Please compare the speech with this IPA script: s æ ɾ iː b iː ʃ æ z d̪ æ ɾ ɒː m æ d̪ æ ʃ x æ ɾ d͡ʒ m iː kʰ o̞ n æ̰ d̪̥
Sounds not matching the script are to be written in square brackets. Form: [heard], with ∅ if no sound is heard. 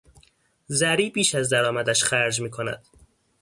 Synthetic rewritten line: [z] æ ɾ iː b iː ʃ æ z d̪ æ ɾ ɒː m æ d̪ æ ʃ x æ ɾ d͡ʒ m iː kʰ o̞ n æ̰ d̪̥